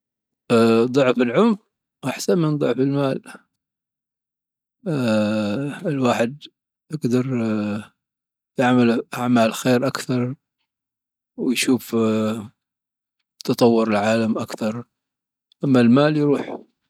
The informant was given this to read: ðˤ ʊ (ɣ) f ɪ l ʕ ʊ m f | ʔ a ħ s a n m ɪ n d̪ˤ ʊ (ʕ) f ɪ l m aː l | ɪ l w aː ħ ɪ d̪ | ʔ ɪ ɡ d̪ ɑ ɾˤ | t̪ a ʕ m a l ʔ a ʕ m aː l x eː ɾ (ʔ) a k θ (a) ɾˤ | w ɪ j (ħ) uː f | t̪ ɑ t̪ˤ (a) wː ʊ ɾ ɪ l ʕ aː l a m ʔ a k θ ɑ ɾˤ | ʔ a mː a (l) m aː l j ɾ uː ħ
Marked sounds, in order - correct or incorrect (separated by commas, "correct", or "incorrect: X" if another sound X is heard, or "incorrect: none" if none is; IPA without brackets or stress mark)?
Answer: incorrect: ʕ, correct, correct, incorrect: ɑ, incorrect: ʃ, incorrect: ɑ, correct